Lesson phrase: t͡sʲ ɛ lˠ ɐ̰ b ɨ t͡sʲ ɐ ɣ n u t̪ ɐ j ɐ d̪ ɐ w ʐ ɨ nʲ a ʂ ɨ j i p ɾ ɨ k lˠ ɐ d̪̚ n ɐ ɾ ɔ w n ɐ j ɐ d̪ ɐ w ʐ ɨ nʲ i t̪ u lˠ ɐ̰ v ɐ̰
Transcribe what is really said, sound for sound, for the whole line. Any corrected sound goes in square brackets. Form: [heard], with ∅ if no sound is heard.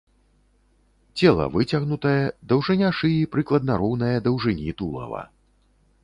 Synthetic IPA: t͡sʲ ɛ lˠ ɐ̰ [v] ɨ t͡sʲ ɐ ɣ n u t̪ ɐ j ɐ d̪ ɐ w ʐ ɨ nʲ a ʂ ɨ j i p ɾ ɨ k lˠ ɐ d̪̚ n ɐ ɾ ɔ w n ɐ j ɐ d̪ ɐ w ʐ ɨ nʲ i t̪ u lˠ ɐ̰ v ɐ̰